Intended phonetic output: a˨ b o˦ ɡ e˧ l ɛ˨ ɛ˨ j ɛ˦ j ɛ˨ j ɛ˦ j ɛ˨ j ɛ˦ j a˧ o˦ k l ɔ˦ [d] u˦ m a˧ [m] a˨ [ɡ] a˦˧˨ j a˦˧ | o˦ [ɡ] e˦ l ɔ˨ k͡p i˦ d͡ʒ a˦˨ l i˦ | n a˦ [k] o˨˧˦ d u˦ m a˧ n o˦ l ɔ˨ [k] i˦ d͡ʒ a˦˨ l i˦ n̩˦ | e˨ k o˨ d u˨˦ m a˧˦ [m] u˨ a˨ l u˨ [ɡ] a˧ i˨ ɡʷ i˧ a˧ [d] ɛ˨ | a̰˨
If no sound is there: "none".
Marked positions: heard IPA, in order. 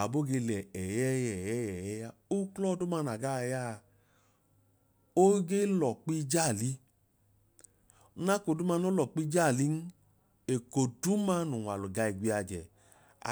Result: d, n, ɡ, ɡ, k, k͡p, n, ɡ, d͡ʒ

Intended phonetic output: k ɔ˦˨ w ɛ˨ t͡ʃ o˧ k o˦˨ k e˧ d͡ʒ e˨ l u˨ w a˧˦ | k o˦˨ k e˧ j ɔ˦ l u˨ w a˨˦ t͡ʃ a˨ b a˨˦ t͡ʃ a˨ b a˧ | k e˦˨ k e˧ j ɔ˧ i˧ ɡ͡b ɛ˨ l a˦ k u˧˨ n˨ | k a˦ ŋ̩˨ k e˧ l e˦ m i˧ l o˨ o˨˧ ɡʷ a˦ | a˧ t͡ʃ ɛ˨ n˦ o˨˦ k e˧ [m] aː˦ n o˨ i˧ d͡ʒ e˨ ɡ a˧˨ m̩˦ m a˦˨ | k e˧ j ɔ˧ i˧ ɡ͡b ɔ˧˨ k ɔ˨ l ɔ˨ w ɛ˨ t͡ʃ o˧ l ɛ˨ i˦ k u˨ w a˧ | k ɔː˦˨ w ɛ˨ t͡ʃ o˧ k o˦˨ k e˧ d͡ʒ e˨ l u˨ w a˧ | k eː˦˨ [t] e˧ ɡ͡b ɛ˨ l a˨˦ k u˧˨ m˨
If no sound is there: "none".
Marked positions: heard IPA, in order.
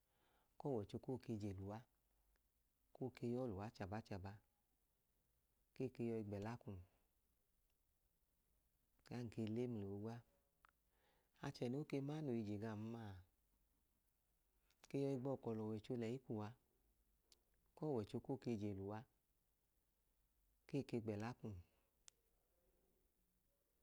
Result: m, k

